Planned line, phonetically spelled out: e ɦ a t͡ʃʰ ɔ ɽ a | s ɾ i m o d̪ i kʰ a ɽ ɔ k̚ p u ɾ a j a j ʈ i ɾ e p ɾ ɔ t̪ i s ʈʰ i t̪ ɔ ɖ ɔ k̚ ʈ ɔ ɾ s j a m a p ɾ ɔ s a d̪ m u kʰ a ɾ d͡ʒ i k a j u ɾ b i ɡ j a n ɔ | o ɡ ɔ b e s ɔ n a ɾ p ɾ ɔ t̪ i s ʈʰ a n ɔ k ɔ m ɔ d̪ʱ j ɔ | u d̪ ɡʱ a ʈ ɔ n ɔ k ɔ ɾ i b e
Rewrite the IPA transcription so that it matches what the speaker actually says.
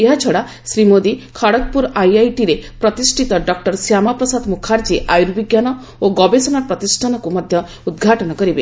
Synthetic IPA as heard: e ɦ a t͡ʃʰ ɔ ɽ a | s ɾ i m o d̪ i kʰ a ɽ ɔ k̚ p u ɾ a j a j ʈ i ɾ e p ɾ ɔ t̪ i s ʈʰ i t̪ ɔ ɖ ɔ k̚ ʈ ɔ ɾ s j a m a p ɾ ɔ s a d̪ m u kʰ a ɾ d͡ʒ i ʔ a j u ɾ b i ɡ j a n ɔ | o ɡ ɔ b e s ɔ n a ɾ p ɾ ɔ t̪ i s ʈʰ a n ɔ k u m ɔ d̪ʱ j ɔ | u d̪ ɡʱ a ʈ ɔ n ɔ k ɔ ɾ i b e